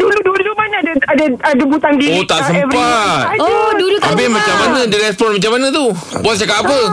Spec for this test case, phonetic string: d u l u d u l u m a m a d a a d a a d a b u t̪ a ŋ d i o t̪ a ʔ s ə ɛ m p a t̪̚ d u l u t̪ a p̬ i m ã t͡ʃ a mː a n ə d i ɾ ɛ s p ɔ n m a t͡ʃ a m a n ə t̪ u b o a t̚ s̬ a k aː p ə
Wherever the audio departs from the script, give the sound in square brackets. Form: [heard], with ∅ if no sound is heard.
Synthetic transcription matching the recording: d u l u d u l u m a [n] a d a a d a a d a b u t̪ a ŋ d i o t̪ a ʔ s ə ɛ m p a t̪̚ d u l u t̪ a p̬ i m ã t͡ʃ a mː a n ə d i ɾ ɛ s p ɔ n m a t͡ʃ a m a n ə t̪ u b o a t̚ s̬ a k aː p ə